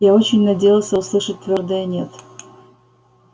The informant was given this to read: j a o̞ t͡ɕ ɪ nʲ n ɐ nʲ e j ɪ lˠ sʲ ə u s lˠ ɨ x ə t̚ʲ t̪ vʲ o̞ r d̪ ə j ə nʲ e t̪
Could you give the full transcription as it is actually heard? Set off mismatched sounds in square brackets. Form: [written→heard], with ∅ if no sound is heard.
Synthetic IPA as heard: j a o̞ t͡ɕ ɪ nʲ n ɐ [nʲ→dʲ] e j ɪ lˠ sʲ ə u s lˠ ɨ [x→ʂ] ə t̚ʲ t̪ vʲ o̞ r d̪ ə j ə nʲ e t̪